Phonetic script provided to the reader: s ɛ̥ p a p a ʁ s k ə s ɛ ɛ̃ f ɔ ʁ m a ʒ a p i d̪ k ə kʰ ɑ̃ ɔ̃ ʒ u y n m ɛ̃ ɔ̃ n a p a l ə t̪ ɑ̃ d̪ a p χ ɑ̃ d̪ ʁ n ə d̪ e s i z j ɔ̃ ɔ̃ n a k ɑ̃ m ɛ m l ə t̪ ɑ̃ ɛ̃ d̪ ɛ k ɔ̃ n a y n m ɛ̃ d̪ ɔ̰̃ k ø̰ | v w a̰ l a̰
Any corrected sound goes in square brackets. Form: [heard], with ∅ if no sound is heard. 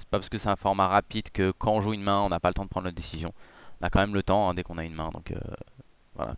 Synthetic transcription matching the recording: s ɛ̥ p a p a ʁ s k ə s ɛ ɛ̃ f ɔ ʁ m a [ʁ] a p i d̪ k ə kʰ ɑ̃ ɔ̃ ʒ u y n m ɛ̃ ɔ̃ n a p a l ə t̪ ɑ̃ d̪ [ə] p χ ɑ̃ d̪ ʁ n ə d̪ e s i z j ɔ̃ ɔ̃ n a k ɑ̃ m ɛ m l ə t̪ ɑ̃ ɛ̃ d̪ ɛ k ɔ̃ n a y n m ɛ̃ d̪ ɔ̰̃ k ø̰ | v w a̰ l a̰